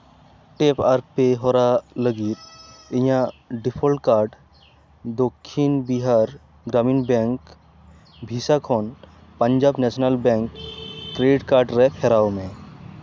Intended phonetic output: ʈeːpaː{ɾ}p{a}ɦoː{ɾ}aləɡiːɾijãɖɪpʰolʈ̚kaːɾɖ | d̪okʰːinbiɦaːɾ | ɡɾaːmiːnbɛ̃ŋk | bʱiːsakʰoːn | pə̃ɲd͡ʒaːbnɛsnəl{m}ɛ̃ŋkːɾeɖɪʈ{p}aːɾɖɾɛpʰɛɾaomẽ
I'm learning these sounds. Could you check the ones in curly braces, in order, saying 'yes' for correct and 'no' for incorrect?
yes, no, yes, no, no

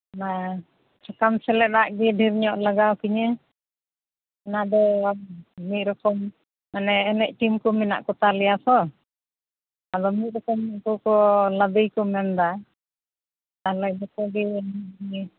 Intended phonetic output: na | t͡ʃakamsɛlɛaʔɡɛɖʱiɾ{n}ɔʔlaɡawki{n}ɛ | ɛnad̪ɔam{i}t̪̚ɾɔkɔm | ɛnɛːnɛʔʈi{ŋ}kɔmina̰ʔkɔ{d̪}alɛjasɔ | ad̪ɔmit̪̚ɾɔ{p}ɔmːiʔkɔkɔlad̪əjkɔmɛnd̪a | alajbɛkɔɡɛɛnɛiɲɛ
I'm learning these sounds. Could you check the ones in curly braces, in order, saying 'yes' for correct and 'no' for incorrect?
no, no, yes, no, no, no

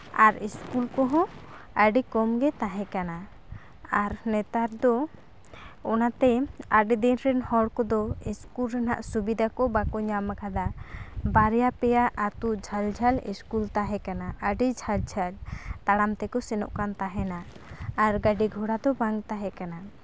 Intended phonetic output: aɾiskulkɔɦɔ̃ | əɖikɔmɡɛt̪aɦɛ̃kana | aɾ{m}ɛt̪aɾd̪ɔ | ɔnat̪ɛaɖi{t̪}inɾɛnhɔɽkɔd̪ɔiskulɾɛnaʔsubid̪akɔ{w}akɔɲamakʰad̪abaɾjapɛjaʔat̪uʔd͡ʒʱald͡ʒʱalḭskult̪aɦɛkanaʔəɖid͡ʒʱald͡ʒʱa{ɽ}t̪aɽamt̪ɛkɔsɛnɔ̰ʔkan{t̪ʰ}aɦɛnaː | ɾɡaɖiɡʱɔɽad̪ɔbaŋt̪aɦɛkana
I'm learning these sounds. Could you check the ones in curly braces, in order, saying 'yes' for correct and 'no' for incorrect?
no, no, no, no, no

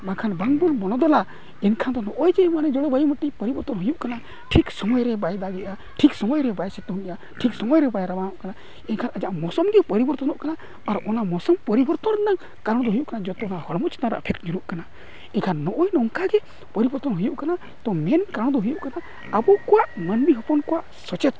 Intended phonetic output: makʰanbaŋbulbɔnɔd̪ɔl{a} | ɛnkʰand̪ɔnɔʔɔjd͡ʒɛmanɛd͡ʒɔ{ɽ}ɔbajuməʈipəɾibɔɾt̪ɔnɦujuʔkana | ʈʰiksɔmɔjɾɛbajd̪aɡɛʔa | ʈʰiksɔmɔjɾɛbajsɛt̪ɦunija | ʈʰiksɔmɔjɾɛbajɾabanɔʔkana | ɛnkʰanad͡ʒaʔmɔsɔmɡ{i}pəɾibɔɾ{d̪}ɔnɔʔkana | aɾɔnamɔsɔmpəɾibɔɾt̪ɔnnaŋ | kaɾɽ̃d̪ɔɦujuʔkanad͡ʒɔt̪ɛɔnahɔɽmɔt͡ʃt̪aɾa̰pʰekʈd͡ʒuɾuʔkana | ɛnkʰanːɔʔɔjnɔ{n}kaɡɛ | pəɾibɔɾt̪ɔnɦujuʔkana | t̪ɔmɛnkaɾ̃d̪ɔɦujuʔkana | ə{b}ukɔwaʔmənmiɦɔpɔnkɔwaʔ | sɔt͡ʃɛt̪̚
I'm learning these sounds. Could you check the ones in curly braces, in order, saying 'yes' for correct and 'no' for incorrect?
yes, yes, no, no, no, yes

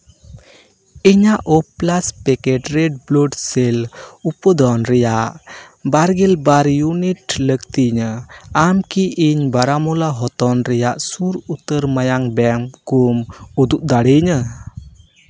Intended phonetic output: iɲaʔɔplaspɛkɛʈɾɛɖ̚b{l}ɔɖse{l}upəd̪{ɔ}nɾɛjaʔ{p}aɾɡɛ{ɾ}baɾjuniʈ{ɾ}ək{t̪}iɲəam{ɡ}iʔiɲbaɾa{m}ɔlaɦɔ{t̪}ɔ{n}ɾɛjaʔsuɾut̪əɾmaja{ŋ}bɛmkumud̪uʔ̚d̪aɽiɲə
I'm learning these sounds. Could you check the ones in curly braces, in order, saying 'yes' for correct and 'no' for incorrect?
yes, yes, yes, no, no, no, yes, no, yes, yes, yes, yes

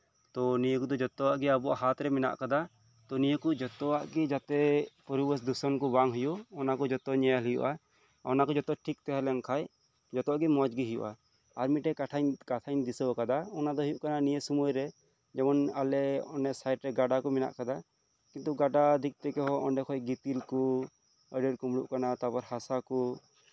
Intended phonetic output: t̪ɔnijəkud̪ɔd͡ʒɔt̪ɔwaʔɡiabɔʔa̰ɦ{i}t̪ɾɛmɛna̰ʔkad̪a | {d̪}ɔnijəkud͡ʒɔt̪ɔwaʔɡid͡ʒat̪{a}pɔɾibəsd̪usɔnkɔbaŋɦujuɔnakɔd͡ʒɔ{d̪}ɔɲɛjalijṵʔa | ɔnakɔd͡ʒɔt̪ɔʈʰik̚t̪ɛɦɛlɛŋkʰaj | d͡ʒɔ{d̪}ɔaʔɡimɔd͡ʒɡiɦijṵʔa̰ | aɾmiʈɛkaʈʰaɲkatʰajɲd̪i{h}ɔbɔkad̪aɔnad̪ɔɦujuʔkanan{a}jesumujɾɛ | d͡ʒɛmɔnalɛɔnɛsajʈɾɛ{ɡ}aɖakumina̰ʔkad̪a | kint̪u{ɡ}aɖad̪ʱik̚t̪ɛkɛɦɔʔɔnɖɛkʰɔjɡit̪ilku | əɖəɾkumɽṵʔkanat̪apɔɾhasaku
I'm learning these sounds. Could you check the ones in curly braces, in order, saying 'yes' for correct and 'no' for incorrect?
no, no, no, no, no, no, no, yes, yes

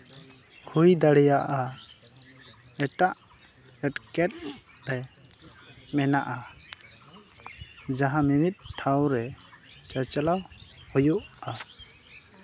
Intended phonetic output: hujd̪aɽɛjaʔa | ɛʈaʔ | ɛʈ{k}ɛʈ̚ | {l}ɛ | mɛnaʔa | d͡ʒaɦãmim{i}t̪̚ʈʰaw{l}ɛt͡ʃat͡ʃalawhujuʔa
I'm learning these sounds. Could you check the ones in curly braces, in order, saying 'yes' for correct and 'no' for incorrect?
yes, no, yes, no

